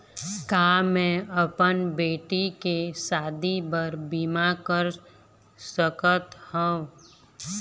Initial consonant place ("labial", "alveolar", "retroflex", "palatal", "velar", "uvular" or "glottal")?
velar